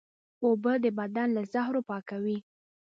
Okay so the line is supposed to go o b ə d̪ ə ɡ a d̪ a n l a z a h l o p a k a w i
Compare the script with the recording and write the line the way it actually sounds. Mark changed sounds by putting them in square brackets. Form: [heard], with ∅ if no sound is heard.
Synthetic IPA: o b ə d̪ ə [b] a d̪ a n l a z a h [ɾ] o p [ɑ] k a w i